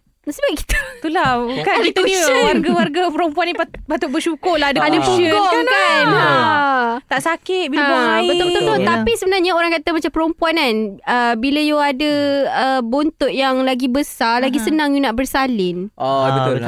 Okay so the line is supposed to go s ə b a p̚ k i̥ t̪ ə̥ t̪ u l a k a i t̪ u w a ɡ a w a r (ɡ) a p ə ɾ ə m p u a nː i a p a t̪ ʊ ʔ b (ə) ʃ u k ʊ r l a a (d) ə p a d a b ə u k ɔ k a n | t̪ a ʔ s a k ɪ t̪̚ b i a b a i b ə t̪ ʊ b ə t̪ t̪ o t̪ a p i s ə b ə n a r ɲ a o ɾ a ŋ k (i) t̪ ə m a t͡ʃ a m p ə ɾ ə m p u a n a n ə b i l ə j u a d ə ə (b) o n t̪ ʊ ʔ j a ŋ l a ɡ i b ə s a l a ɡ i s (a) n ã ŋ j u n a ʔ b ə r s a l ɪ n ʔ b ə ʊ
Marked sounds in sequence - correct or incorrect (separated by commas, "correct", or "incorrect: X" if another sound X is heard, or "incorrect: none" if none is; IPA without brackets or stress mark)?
correct, correct, correct, incorrect: a, correct, incorrect: ə